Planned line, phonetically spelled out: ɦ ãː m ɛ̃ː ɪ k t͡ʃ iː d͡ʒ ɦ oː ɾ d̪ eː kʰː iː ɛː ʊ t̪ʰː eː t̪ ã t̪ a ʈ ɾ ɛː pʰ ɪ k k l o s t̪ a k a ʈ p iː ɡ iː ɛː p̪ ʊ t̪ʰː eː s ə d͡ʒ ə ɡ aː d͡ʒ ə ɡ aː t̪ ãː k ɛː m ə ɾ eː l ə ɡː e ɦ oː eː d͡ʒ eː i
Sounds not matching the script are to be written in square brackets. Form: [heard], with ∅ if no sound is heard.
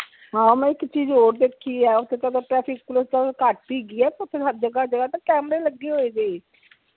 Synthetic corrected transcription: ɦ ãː m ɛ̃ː ɪ k t͡ʃ iː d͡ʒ ɦ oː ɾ d̪ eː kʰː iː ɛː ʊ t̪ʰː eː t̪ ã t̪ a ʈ ɾ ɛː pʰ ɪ k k l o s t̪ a k a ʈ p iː ɡ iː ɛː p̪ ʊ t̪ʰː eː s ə d͡ʒ ə ɡ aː d͡ʒ ə ɡ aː t̪ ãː k ɛː m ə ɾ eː l ə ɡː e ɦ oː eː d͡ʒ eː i